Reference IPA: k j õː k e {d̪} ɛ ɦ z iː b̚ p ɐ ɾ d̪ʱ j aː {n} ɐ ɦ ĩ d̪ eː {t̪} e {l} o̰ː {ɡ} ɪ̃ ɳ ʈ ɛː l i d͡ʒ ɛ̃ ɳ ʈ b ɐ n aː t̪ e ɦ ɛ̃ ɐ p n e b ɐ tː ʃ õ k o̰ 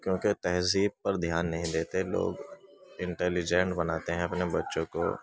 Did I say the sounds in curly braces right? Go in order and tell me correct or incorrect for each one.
incorrect: t̪, incorrect: nː, correct, correct, correct

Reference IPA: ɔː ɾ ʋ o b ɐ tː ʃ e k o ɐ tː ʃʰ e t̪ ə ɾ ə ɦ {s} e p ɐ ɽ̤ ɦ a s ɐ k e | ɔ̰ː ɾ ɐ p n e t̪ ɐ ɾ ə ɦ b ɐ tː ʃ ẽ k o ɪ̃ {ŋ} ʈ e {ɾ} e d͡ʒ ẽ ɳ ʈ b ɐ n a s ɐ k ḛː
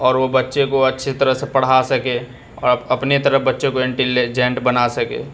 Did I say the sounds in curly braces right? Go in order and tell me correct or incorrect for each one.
correct, incorrect: ɳ, incorrect: l

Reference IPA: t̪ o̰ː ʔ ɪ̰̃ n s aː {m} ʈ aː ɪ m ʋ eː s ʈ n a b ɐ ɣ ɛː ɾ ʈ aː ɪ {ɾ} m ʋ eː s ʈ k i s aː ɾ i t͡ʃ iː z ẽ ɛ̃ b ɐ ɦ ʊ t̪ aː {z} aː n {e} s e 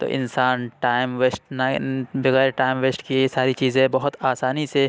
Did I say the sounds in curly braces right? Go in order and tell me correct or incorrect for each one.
incorrect: n, incorrect: none, incorrect: s, incorrect: i

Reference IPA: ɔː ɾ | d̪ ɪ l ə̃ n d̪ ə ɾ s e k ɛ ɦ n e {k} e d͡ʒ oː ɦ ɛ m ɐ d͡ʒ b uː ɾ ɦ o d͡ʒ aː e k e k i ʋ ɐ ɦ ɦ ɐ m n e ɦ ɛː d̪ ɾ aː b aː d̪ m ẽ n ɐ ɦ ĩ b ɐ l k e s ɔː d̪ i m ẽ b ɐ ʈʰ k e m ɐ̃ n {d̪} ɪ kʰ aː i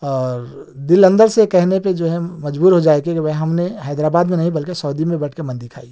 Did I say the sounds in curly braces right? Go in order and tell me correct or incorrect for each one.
incorrect: p, correct

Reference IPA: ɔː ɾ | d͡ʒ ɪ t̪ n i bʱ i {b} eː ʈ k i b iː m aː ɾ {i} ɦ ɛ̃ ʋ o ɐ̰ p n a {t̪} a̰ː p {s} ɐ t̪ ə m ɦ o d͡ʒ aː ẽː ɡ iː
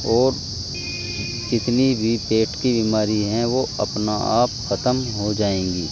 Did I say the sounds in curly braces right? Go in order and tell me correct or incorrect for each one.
incorrect: p, correct, incorrect: none, incorrect: x

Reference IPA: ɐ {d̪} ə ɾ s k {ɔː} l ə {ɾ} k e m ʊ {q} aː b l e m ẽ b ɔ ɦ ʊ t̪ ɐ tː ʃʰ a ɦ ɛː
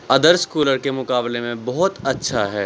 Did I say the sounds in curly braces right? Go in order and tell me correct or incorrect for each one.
correct, incorrect: uː, correct, incorrect: k

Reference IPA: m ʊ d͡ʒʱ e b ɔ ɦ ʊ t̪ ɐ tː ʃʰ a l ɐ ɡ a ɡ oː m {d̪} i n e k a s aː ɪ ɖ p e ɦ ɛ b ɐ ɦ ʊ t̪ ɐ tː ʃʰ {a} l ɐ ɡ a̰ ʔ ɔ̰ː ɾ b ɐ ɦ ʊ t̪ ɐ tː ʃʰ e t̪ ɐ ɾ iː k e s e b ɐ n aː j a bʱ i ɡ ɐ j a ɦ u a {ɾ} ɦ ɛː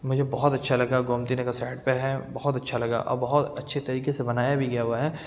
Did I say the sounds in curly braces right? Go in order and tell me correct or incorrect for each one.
incorrect: t̪, correct, incorrect: none

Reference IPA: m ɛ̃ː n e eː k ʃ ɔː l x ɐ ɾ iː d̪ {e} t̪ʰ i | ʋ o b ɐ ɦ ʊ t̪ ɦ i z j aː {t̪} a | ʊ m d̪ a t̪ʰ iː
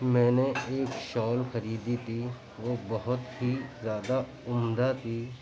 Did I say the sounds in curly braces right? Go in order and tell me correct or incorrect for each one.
incorrect: i, incorrect: d̪

